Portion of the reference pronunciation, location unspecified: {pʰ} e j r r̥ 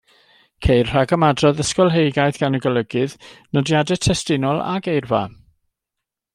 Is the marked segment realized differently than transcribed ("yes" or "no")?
yes